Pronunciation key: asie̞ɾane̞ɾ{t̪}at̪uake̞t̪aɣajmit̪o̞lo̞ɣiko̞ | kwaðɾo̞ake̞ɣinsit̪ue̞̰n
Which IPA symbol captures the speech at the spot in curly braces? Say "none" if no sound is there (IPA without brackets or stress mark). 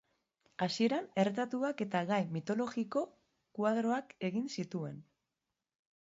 t̪